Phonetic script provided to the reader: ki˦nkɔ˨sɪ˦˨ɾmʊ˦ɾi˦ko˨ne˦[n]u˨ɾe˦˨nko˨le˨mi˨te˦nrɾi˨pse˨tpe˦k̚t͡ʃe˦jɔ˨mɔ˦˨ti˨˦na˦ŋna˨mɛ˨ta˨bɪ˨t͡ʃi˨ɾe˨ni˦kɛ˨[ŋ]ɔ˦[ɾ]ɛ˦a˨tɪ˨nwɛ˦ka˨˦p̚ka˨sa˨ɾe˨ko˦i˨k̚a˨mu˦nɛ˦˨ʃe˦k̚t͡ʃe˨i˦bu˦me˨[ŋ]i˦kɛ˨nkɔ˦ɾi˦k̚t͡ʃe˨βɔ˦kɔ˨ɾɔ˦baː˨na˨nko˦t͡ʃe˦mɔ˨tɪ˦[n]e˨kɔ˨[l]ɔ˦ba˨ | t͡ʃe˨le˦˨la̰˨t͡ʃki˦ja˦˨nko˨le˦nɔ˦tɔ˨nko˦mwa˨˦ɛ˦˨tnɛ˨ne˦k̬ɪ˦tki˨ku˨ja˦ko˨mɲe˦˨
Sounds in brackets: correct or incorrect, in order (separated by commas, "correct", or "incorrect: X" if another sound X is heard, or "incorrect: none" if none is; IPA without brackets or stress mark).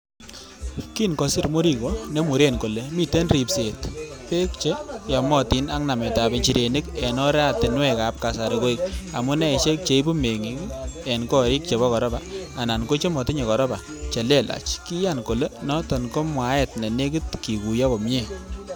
incorrect: m, incorrect: n, correct, correct, incorrect: ɲ, incorrect: ɾ